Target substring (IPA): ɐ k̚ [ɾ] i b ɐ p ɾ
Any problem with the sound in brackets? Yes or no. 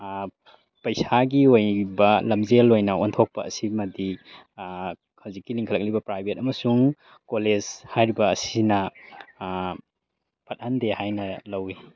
yes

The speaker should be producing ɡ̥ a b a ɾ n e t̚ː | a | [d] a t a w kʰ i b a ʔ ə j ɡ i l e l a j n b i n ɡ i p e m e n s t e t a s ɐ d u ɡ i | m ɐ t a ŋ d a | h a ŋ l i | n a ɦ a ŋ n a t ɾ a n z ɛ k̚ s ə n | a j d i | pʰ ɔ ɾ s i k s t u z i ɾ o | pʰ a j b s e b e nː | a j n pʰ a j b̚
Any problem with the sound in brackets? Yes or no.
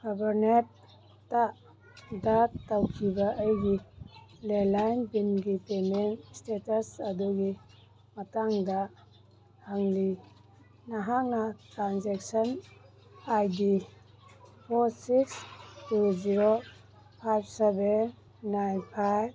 no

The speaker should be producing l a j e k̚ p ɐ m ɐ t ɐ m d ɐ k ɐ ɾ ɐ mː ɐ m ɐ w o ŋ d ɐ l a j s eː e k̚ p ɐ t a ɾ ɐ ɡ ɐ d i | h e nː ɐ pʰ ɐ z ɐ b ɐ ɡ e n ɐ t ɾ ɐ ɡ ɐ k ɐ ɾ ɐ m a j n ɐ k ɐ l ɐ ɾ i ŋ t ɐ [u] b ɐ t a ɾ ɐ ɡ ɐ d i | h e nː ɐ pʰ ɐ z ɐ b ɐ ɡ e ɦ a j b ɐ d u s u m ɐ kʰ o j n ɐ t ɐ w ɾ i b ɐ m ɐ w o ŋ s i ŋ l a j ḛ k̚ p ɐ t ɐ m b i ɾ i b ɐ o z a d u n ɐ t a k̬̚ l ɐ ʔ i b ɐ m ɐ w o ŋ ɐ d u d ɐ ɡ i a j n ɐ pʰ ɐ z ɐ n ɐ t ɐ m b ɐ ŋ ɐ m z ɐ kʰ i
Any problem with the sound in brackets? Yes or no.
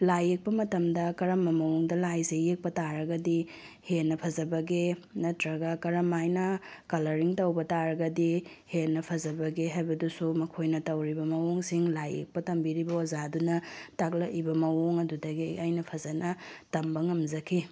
yes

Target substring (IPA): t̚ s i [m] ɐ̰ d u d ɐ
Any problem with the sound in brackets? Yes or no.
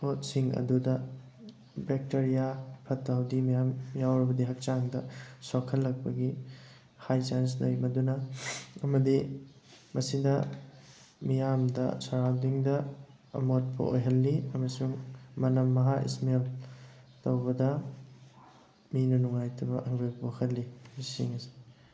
yes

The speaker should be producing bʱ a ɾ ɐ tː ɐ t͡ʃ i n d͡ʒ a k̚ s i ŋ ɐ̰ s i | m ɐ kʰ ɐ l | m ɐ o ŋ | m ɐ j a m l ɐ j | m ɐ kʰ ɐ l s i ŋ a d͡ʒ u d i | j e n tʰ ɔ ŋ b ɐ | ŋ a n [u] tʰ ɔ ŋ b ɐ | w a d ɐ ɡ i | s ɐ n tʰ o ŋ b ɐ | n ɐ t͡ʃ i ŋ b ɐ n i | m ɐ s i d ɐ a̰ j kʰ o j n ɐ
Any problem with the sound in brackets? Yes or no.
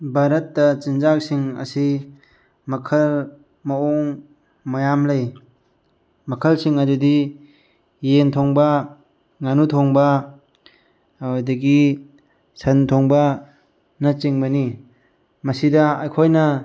no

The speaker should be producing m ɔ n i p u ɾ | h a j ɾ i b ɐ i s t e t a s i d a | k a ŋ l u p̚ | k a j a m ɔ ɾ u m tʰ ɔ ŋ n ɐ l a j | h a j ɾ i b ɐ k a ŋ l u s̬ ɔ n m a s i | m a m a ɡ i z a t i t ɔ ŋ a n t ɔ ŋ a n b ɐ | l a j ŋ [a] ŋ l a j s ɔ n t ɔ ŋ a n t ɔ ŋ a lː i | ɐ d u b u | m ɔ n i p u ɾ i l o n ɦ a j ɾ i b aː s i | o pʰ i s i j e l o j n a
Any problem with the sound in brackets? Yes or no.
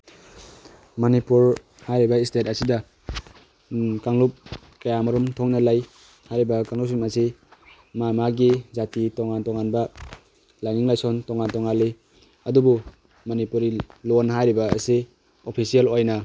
yes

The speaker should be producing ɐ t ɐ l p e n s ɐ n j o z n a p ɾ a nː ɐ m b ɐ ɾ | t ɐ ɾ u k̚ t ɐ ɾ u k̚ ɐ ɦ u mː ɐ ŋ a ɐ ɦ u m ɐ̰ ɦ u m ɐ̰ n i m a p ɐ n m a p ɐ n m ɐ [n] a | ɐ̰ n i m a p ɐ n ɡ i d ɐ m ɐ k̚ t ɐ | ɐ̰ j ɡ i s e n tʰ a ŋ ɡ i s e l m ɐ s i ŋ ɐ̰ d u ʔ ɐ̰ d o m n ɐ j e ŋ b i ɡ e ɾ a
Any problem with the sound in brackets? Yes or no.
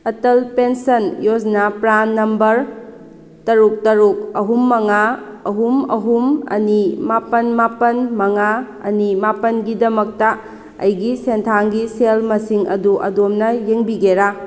yes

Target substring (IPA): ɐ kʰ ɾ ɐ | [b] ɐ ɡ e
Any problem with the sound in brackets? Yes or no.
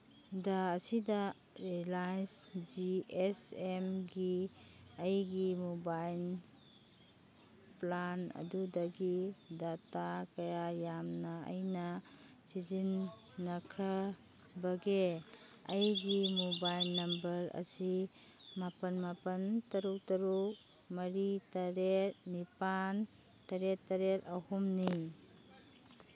no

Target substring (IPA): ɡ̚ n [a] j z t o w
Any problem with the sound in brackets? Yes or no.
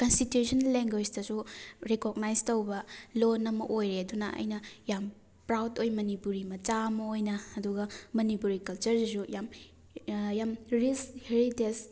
no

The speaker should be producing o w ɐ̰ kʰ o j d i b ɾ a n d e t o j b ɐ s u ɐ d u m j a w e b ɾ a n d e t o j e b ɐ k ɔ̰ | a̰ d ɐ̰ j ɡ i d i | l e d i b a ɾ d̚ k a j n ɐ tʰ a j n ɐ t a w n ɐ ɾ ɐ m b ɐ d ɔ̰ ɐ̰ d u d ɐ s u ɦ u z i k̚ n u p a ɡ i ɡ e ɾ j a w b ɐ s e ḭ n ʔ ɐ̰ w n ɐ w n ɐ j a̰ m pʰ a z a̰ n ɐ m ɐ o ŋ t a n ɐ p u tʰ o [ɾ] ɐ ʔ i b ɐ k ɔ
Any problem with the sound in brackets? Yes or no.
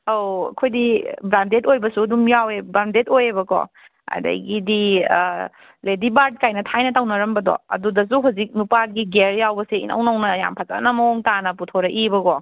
no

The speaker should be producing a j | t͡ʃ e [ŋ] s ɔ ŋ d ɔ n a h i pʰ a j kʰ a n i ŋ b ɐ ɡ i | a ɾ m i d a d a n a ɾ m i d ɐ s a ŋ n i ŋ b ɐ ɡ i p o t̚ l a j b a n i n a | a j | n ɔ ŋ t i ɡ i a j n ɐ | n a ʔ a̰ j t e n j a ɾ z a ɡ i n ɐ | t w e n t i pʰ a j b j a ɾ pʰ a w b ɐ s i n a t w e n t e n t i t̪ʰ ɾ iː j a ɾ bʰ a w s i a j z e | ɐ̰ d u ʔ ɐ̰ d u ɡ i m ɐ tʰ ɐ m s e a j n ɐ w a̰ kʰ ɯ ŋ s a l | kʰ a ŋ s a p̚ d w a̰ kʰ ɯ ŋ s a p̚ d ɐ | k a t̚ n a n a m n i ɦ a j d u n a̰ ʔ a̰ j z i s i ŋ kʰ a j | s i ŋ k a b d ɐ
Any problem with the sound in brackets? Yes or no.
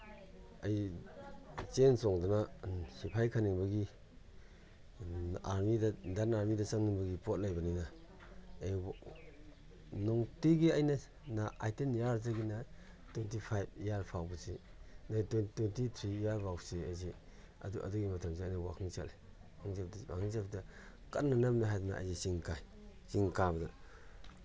yes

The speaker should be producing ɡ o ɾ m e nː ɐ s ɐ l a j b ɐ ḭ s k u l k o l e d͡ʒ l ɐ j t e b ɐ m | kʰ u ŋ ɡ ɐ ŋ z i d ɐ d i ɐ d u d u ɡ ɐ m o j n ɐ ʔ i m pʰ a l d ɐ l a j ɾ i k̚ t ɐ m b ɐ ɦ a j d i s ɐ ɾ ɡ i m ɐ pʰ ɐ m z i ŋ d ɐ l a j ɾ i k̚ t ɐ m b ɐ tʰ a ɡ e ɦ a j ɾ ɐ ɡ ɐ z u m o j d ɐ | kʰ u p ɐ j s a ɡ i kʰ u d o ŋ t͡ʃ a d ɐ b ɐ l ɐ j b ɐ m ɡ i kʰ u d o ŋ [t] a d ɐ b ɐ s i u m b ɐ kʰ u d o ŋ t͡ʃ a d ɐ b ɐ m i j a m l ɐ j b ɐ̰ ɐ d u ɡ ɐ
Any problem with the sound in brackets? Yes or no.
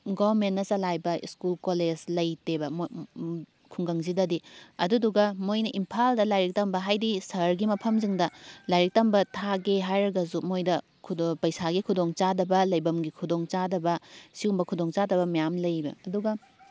yes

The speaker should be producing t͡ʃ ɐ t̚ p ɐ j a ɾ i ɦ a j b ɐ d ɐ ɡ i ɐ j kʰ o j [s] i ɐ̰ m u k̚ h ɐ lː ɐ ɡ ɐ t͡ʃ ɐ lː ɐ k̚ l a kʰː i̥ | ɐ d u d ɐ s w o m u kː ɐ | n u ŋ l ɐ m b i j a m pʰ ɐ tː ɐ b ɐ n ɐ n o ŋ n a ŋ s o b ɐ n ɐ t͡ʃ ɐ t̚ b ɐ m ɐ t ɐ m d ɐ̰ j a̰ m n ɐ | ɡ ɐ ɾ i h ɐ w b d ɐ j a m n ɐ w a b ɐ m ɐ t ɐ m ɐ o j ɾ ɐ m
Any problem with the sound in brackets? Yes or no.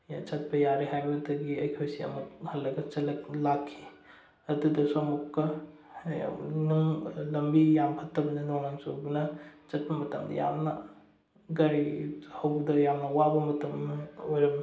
no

